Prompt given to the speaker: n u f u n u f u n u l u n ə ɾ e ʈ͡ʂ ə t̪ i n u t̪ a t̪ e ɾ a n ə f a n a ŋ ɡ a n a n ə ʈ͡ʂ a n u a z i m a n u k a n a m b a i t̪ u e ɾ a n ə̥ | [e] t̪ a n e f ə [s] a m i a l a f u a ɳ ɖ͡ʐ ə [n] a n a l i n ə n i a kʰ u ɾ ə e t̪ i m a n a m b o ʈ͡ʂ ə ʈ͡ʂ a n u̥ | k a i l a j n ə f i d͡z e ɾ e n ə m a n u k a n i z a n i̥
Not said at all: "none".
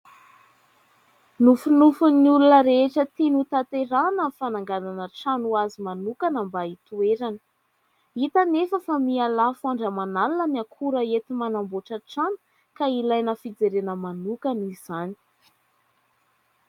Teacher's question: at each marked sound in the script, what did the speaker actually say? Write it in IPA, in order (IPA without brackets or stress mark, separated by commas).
i, f, m